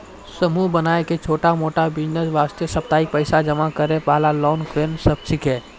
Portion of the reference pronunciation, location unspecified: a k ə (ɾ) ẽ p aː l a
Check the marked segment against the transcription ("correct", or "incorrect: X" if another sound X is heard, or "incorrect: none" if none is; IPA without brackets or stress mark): correct